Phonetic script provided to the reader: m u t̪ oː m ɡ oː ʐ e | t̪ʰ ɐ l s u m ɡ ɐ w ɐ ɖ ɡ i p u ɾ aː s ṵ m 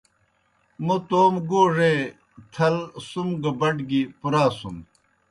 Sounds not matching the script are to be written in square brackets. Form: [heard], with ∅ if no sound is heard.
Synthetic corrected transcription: m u t̪ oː m ɡ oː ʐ e | t̪ʰ ɐ l s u m ɡ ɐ [b] ɐ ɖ ɡ i p u ɾ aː s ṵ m